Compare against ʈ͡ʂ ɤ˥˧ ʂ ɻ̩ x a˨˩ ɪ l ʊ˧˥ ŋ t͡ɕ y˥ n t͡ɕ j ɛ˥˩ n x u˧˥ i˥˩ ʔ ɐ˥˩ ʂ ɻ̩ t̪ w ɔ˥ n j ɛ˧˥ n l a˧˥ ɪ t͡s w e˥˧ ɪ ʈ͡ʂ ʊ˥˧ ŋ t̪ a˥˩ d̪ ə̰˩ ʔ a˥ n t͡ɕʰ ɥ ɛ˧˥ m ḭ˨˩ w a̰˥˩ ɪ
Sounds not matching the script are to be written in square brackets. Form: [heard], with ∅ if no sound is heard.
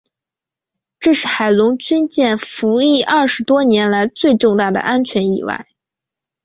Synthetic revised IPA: ʈ͡ʂ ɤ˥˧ ʂ ɻ̩ x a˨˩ ɪ l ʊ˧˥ ŋ t͡ɕ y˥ n t͡ɕ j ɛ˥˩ n [f] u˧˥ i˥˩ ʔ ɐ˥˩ ʂ ɻ̩ t̪ w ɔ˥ n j ɛ˧˥ n l a˧˥ ɪ t͡s w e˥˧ ɪ ʈ͡ʂ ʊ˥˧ ŋ t̪ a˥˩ d̪ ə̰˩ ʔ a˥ n t͡ɕʰ ɥ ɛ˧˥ [n] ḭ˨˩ w a̰˥˩ ɪ